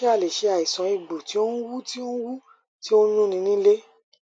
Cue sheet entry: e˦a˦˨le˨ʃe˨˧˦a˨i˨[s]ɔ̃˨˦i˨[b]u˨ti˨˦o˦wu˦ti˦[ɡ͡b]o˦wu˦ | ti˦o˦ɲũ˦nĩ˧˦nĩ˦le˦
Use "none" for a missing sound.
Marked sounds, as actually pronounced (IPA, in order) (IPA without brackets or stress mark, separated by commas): s, ɡ͡b, none